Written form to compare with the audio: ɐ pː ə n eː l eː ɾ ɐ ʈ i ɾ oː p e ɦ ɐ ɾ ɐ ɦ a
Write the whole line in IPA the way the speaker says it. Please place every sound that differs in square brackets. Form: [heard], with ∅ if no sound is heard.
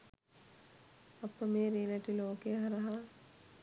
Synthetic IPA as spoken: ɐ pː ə [m] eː [ɾ] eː [l] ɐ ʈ i [l] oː [k] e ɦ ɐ ɾ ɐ ɦ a